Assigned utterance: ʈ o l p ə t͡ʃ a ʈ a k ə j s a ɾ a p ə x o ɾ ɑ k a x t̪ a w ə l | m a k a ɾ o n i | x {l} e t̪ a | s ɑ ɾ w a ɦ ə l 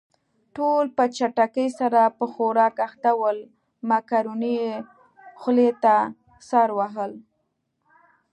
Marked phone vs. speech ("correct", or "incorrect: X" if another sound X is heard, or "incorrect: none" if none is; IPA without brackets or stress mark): correct